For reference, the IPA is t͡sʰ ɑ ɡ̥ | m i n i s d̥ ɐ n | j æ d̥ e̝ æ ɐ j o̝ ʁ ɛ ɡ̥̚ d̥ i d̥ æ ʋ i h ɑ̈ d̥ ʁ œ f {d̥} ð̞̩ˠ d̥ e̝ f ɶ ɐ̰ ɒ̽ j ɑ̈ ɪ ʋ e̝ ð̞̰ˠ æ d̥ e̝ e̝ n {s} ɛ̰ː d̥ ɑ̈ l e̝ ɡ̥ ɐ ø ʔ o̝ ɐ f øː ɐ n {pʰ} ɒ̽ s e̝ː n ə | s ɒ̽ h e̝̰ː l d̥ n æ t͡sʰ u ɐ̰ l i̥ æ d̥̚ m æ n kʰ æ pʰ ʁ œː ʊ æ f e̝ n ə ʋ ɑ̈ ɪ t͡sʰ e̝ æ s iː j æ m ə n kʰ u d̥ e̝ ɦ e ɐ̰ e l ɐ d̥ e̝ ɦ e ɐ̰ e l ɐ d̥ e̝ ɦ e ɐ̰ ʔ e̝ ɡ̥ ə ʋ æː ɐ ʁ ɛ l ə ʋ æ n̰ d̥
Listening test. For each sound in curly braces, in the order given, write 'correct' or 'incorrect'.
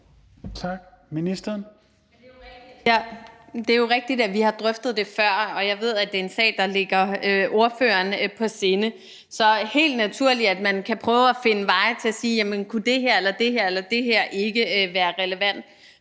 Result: correct, correct, correct

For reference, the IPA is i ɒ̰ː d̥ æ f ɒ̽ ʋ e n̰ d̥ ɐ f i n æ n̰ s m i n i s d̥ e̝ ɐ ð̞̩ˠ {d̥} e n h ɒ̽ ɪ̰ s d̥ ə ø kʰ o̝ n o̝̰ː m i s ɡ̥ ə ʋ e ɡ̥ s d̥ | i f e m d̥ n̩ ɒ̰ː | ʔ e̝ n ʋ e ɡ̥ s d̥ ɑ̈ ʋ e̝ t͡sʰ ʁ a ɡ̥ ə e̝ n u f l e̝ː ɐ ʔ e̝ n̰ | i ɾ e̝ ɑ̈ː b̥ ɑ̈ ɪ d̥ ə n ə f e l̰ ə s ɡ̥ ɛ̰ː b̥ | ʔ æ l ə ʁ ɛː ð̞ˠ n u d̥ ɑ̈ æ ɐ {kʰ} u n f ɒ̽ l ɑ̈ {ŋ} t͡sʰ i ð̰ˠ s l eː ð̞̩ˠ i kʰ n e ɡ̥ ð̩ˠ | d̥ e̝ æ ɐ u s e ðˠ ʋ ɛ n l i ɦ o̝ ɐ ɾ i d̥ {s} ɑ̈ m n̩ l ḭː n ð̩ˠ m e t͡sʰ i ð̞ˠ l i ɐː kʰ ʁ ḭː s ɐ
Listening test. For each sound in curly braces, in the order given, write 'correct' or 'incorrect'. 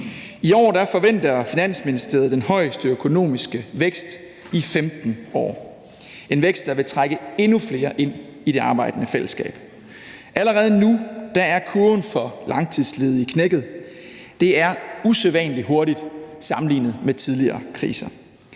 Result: correct, correct, correct, correct

